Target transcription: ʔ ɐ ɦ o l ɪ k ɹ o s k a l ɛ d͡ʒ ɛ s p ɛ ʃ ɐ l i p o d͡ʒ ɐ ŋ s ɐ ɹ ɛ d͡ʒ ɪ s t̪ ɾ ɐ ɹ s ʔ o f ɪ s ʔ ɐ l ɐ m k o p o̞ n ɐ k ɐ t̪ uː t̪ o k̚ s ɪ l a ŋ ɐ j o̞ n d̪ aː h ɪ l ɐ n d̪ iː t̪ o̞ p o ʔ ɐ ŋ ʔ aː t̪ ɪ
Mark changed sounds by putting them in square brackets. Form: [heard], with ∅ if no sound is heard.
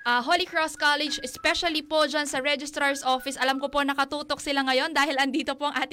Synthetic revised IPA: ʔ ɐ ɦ o l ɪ k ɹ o s k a l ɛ d͡ʒ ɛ s p ɛ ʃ ɐ l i p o d͡ʒ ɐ [n] s ɐ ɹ ɛ d͡ʒ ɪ s t̪ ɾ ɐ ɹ s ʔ o f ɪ s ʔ ɐ l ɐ m k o p o̞ n ɐ k ɐ t̪ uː t̪ o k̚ s ɪ l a ŋ ɐ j o̞ n d̪ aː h ɪ l ɐ n d̪ iː t̪ o̞ p o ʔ ɐ ŋ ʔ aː t̪ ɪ